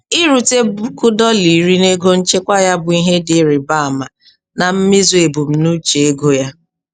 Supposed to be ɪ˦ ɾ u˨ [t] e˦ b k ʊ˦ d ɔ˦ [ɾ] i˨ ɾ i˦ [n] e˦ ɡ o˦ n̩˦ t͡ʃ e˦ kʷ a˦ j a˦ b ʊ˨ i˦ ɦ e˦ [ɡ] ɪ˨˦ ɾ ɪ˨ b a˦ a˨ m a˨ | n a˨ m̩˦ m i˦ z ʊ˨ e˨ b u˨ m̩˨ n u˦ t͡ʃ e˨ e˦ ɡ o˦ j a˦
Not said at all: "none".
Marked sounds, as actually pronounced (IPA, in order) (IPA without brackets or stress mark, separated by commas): t, l, n, d